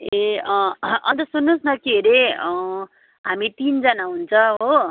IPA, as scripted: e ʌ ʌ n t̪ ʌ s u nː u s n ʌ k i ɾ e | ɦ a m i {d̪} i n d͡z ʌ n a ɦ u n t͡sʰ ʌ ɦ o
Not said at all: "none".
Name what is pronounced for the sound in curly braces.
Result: t̪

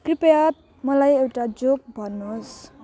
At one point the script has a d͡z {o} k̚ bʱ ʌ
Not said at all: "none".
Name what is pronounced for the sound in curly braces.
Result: o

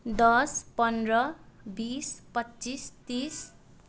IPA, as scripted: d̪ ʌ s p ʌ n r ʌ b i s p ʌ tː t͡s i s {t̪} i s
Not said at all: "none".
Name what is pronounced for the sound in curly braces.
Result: t̪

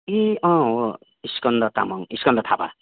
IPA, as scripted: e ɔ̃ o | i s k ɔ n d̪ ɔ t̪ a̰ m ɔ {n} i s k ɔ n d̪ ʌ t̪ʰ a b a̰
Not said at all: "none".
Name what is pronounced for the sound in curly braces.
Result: ŋ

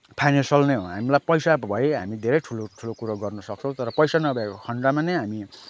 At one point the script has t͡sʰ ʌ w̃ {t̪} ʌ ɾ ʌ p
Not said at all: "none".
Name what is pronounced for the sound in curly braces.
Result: t̪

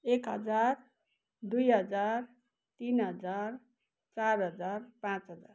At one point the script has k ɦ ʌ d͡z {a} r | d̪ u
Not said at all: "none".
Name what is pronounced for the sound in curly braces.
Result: a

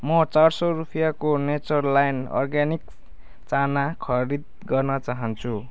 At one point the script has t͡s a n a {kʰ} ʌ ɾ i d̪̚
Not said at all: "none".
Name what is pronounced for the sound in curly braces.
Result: kʰ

